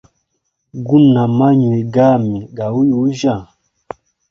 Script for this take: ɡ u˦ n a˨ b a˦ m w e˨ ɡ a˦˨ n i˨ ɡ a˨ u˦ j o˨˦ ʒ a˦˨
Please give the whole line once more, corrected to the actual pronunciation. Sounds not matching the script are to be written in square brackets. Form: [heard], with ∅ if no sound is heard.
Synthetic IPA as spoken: ɡ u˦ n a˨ [m] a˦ [ɲ] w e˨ ɡ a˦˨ [m] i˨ ɡ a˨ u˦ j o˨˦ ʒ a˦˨